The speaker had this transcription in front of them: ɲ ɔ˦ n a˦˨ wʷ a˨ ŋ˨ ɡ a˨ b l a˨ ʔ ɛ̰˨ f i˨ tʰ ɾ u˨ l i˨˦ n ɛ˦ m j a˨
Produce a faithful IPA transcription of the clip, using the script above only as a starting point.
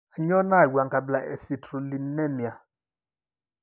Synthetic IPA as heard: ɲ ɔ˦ n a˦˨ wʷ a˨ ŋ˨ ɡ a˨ b l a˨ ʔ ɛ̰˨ s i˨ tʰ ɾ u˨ l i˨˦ n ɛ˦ m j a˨